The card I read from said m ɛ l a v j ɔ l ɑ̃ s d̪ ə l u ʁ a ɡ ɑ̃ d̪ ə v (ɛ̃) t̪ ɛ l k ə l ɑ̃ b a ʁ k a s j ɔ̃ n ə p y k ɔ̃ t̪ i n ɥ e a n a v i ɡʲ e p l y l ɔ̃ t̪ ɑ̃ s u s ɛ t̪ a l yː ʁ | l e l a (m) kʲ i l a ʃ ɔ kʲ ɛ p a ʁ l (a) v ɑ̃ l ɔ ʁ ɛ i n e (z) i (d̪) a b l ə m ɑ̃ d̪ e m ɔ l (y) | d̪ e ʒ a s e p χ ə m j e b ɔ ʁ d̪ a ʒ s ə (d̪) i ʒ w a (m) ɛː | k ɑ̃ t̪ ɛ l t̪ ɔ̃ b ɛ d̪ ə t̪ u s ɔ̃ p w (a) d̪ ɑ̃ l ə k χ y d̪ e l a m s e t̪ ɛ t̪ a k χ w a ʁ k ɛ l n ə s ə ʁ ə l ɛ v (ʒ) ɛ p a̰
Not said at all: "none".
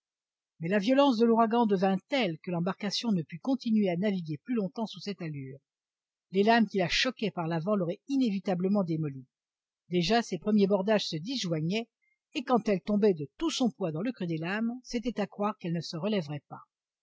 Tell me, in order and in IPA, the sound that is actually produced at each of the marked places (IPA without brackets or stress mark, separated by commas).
ɛ̃, m, a, v, t̪, i, d̪, ɲ, a, ʁ